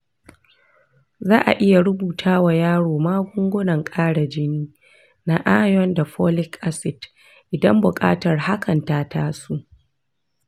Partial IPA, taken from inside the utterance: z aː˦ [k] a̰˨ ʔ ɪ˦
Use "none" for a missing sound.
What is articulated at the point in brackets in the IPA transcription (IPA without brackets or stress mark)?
ʔ